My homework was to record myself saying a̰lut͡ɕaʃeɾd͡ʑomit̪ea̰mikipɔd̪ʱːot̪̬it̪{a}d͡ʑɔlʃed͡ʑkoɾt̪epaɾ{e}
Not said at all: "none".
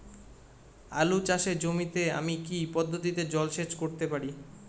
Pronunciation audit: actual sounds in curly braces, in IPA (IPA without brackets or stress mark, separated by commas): e, i